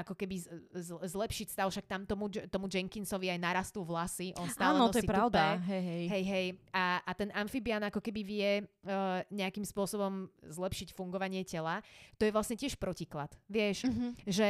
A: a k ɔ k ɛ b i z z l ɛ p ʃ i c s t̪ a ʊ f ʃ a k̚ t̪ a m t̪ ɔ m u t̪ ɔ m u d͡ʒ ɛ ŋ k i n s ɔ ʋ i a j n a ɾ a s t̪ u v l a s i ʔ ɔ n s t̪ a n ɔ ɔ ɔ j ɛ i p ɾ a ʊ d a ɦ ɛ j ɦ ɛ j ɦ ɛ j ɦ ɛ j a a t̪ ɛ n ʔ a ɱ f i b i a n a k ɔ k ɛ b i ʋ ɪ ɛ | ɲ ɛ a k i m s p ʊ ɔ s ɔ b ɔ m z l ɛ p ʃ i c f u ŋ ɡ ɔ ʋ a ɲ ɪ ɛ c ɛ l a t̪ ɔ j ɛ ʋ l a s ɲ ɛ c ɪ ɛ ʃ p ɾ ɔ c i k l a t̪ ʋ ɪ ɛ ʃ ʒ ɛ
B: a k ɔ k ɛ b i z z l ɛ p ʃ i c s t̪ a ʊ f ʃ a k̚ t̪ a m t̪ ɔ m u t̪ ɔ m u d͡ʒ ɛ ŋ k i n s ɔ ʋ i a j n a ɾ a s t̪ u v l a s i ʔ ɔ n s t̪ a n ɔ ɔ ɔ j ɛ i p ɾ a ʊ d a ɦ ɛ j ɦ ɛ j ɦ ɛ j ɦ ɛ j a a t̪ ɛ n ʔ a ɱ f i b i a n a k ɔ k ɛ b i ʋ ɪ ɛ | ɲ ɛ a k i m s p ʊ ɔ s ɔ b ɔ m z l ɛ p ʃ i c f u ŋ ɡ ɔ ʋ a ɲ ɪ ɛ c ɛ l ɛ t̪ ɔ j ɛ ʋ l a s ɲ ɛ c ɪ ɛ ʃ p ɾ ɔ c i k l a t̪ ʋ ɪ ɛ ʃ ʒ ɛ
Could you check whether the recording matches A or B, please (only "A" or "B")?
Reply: A